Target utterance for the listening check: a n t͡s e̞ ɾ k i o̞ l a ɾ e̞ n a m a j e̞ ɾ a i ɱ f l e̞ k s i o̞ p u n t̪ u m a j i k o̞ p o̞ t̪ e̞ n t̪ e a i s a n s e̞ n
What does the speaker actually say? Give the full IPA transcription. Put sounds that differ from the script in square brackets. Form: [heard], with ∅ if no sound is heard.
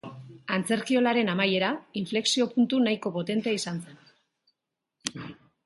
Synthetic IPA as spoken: a n t͡s e̞ ɾ k i o̞ l a ɾ e̞ n a m a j e̞ ɾ a i ɱ f l e̞ k s i o̞ p u n t̪ u [n] a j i k o̞ p o̞ t̪ e̞ n t̪ e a i s a n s e̞ n